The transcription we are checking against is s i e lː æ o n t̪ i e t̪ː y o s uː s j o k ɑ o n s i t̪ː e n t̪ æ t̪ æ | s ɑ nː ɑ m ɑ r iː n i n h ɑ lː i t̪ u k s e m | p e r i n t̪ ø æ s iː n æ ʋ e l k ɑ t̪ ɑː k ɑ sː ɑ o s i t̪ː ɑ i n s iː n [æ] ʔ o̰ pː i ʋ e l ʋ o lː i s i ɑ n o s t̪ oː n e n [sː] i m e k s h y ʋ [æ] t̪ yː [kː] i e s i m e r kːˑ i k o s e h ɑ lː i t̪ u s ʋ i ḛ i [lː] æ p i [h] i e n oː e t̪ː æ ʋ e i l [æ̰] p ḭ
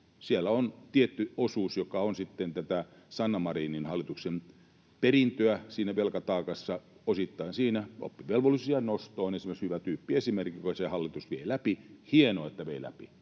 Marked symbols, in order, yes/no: yes, no, yes, no, no, yes, yes

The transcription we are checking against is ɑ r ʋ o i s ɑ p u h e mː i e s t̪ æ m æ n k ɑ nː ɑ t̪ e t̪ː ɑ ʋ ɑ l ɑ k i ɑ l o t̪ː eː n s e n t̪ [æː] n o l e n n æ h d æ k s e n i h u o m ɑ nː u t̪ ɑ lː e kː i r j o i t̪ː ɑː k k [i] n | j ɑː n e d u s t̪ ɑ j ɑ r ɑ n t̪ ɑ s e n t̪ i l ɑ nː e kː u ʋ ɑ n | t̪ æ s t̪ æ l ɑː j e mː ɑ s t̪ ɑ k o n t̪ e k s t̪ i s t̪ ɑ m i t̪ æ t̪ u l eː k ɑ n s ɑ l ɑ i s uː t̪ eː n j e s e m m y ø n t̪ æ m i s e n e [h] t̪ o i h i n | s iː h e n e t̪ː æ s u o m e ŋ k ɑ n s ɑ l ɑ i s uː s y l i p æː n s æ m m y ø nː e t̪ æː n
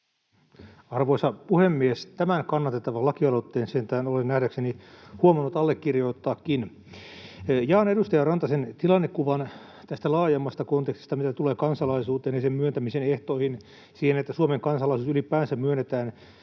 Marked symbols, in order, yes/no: yes, yes, yes

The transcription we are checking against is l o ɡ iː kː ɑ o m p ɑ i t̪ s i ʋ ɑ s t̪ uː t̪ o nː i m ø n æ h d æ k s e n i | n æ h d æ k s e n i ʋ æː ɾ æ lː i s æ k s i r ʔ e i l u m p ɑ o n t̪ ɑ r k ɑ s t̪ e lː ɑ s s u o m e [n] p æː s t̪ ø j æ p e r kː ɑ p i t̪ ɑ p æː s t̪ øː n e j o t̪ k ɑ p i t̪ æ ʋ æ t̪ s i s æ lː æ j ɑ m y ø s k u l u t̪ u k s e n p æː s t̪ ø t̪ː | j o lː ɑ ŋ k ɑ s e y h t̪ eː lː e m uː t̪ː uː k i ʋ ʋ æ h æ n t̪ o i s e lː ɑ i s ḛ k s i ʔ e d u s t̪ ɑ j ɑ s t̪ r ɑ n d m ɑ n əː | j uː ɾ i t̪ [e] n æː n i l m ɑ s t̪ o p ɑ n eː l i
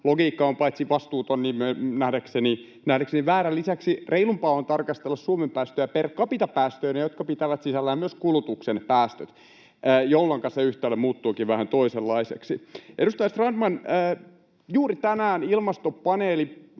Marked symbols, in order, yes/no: no, no

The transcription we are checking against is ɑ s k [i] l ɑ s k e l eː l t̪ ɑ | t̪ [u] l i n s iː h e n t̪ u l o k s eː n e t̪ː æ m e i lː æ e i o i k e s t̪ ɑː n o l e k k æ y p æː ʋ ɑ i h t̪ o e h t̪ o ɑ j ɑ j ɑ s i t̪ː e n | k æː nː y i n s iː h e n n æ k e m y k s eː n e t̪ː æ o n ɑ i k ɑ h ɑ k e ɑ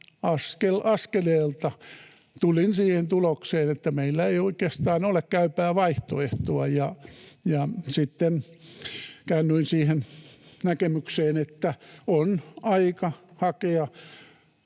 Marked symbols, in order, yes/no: no, yes

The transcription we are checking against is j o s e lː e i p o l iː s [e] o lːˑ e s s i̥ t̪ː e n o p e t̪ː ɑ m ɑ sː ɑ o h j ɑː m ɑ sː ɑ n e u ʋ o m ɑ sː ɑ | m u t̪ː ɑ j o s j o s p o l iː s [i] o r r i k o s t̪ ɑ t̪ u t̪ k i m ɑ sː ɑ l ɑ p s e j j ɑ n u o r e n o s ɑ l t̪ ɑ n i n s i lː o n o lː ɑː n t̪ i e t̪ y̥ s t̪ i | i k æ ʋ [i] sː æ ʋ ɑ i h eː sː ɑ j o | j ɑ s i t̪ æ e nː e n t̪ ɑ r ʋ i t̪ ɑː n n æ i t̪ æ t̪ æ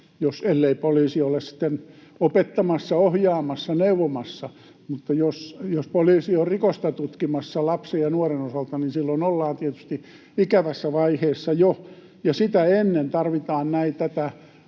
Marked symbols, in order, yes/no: no, yes, no

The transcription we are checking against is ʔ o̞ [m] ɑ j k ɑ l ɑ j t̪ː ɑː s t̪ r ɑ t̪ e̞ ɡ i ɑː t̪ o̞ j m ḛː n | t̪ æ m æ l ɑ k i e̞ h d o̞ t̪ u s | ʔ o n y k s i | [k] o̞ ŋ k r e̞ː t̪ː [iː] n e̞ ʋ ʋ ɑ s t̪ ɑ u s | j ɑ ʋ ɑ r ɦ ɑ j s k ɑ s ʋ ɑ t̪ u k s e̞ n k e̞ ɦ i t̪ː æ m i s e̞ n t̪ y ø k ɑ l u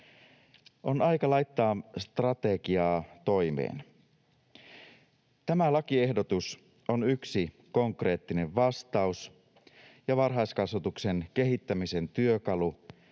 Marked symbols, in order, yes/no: no, yes, no

